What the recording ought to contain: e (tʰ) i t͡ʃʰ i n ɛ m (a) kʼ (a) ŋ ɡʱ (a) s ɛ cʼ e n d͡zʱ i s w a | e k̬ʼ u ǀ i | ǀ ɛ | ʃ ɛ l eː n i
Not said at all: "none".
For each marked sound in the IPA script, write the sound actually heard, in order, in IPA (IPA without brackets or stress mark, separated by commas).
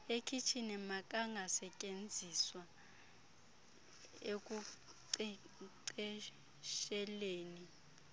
kʰ, a, a, a